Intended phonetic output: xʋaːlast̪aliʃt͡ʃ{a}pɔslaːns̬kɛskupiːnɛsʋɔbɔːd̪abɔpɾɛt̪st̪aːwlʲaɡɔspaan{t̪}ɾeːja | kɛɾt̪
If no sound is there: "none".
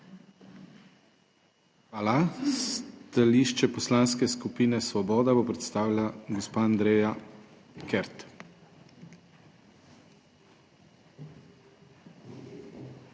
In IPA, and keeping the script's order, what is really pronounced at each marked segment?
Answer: ɛ, d̪

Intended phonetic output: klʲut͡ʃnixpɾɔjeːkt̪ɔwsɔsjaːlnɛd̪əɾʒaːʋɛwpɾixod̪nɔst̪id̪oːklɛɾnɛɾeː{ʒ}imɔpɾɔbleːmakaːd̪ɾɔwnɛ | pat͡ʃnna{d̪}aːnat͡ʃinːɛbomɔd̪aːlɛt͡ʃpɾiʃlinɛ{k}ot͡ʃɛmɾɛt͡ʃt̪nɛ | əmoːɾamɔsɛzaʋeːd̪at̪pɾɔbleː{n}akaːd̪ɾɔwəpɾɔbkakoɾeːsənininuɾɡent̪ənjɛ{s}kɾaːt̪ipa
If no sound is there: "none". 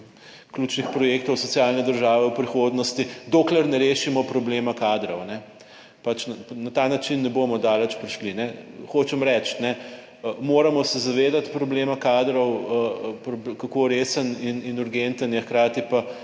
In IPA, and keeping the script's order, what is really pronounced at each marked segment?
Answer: ʃ, t̪, x, m, x

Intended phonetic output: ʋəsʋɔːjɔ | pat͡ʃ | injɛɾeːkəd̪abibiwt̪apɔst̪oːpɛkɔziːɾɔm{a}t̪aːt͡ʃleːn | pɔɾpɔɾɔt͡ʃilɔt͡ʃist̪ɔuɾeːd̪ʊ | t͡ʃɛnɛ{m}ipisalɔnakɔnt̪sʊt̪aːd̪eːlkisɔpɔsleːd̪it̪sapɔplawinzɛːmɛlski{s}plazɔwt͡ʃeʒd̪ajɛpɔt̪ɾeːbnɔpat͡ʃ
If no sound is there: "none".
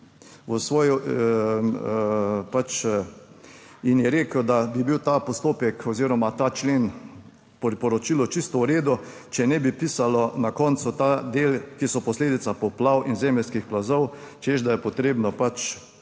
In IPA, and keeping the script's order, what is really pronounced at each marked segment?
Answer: a, b, x

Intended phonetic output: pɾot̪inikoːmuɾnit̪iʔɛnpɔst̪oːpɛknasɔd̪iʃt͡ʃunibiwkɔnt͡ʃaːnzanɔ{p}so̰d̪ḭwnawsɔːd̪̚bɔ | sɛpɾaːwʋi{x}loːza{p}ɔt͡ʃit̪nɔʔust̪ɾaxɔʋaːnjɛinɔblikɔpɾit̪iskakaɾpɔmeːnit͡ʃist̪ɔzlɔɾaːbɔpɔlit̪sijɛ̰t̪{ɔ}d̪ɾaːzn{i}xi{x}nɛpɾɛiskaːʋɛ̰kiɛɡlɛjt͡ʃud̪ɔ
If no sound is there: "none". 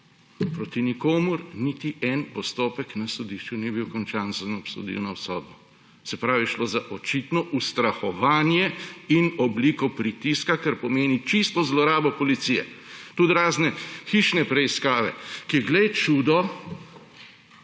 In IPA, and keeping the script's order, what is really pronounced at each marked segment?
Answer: p, ʃ, ʔ, u, ɛ, ʃ

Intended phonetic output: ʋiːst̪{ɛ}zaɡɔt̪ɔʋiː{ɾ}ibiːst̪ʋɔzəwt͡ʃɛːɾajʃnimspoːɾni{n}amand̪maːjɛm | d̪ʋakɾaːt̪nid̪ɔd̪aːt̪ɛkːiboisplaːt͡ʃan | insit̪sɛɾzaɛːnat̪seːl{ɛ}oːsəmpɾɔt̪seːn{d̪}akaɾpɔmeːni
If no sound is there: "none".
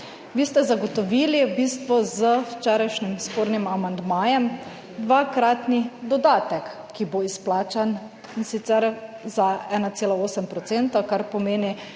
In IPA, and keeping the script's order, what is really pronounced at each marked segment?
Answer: ɛ, l, m, a, t̪

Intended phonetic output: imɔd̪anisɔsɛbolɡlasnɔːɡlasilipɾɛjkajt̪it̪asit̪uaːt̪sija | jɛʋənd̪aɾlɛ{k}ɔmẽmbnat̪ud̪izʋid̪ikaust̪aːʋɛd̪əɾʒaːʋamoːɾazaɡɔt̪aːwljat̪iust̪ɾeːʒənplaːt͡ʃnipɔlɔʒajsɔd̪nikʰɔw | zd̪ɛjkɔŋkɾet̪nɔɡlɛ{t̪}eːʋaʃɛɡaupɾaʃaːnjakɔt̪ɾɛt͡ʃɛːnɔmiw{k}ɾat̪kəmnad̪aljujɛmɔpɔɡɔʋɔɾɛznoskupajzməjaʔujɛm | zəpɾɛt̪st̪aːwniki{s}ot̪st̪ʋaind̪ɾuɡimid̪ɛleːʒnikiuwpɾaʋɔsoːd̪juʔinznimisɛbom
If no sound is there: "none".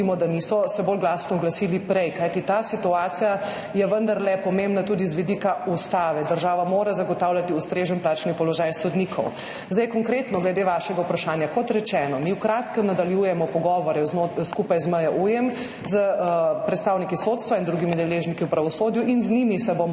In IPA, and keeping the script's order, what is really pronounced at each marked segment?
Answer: p, d̪, k, s

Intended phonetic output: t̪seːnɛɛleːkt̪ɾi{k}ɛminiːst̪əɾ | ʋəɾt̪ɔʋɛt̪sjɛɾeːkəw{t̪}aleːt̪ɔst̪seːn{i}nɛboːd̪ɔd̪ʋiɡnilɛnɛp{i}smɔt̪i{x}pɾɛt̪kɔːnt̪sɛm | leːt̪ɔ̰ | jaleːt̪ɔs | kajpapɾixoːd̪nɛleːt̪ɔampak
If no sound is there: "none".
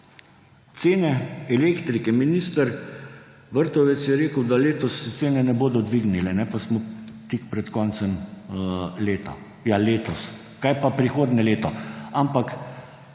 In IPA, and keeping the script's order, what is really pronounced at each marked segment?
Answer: k, d̪, ɛ, a, k

